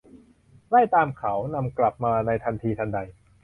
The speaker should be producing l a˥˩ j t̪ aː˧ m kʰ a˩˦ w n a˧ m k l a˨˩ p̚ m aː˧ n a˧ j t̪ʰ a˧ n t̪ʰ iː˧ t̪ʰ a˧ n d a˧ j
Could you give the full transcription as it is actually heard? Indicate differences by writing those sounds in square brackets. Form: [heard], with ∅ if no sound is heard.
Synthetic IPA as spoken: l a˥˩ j t̪ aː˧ m kʰ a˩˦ w n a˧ m k l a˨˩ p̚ m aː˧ n a˧ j t̪ʰ a˧ n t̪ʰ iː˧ t̪ʰ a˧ n d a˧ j